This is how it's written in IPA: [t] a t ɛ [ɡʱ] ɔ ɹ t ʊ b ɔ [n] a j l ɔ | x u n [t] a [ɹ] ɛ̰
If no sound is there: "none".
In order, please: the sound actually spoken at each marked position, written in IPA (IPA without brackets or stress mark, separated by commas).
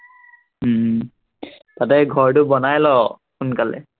t, ɡʱ, n, k, l